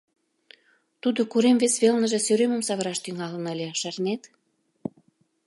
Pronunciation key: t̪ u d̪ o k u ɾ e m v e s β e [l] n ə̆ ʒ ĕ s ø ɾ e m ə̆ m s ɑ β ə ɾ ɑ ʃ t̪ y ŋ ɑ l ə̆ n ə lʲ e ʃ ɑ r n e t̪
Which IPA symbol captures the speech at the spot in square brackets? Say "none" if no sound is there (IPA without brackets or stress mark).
l